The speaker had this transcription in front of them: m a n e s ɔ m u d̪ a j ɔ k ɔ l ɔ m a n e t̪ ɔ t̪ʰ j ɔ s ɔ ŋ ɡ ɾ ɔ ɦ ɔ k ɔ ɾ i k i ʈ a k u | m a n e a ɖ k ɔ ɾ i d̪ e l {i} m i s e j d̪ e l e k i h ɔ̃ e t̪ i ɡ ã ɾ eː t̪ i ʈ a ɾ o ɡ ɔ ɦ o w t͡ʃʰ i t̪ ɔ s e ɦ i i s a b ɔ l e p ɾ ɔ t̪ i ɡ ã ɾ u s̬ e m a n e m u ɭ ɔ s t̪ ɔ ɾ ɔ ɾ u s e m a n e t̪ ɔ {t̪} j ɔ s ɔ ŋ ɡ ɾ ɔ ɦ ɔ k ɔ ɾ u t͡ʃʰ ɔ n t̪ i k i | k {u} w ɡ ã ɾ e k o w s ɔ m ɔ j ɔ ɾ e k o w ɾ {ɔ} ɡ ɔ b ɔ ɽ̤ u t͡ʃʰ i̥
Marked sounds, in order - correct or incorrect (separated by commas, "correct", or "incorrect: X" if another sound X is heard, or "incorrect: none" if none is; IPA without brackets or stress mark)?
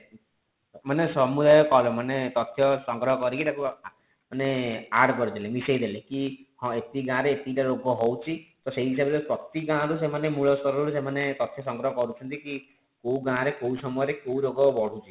incorrect: e, incorrect: t̪ʰ, incorrect: o, incorrect: o